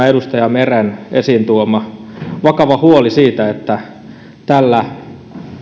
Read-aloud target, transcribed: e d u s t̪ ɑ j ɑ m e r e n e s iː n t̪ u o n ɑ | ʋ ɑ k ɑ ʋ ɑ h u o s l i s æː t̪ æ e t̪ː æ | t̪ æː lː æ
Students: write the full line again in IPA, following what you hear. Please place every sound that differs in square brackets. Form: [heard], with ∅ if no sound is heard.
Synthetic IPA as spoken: e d u s t̪ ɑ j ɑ m e r e n e s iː n t̪ u o [m] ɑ | ʋ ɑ k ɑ ʋ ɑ h u o [∅] l i s [iː] t̪ æ e t̪ː æ | t̪ [æ] lː æ

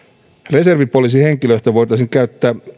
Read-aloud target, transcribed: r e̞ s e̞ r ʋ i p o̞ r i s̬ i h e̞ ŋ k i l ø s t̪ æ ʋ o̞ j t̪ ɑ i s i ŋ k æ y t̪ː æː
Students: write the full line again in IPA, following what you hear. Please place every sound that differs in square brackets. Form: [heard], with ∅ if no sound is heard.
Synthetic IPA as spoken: r e̞ s e̞ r ʋ i p o̞ [l] i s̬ i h e̞ ŋ k i l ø s t̪ æ ʋ o̞ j t̪ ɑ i s i ŋ k æ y t̪ː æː

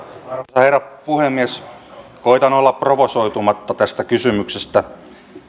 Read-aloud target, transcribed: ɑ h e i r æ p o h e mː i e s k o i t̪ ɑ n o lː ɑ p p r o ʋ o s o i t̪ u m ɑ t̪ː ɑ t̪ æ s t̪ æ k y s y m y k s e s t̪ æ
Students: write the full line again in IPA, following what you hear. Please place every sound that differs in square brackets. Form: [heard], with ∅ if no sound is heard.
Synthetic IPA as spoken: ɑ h e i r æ p [u] h e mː i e s k o i t̪ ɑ n o lː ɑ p p r o ʋ o s o i t̪ u m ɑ t̪ː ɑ t̪ æ s t̪ æ k y s y m y k s e s t̪ æ

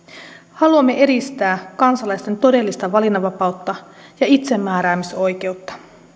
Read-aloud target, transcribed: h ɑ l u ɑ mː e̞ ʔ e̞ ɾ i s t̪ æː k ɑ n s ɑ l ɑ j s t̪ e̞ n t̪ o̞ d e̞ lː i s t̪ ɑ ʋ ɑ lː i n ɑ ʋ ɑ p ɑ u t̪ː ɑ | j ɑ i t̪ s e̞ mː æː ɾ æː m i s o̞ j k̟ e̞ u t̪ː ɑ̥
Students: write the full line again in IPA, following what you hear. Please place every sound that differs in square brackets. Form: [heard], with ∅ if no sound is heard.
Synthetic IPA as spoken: h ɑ l u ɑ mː e̞ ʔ e̞ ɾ i s t̪ æː k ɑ n s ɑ l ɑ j s t̪ e̞ n t̪ o̞ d e̞ lː i s t̪ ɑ ʋ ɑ [l] i n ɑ ʋ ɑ p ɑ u t̪ː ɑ | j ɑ i t̪ s e̞ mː æː ɾ æː m i s o̞ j k̟ e̞ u t̪ː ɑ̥

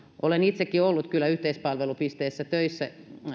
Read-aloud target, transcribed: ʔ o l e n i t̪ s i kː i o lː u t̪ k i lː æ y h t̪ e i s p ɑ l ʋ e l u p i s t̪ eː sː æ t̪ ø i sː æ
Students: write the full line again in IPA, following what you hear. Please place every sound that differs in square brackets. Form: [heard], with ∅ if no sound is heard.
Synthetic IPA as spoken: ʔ o l e n i t̪ s [e] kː i o lː u t̪ k [y] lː æ y h t̪ e i s p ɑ l ʋ e l u p i s t̪ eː sː æ t̪ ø i sː æ

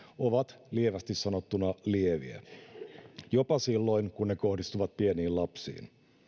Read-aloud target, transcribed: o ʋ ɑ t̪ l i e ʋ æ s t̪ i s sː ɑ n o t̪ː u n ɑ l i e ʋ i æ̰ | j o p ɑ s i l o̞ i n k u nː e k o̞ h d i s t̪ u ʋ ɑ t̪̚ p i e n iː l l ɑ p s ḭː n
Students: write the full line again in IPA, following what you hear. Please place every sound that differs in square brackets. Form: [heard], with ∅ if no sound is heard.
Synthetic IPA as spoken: o ʋ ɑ t̪ l i e ʋ æ s t̪ i s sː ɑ n o t̪ː u n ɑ l i e ʋ i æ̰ | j o p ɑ s i [lː] o̞ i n k u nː e k o̞ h d i s t̪ u ʋ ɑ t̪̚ p i e n iː l l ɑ p s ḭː n

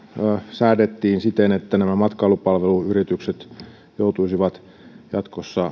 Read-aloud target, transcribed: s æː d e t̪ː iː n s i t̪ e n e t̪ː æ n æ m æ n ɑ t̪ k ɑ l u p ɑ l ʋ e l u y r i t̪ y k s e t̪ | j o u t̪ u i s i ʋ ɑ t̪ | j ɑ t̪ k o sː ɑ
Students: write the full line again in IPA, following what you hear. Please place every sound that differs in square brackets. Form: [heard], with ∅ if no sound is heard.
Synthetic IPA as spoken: s æː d e t̪ː iː n s i t̪ e n e t̪ː æ n æ m æ [m] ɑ t̪ k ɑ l u p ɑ l ʋ e l u y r i t̪ y k s e t̪ | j o u t̪ u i s i ʋ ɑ t̪ | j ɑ t̪ k o sː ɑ

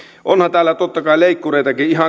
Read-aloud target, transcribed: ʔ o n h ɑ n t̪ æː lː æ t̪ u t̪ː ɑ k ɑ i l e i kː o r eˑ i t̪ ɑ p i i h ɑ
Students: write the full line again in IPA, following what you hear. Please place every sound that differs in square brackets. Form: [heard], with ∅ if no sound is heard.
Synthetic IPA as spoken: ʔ o n h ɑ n t̪ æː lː æ t̪ [o] t̪ː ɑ k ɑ i l e i kː [u] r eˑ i t̪ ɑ [k] i i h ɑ

